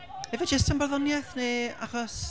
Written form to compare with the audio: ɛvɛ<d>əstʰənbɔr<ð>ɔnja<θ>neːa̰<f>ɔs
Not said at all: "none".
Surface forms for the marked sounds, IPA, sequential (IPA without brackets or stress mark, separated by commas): d͡ʒ, ð, θ, χ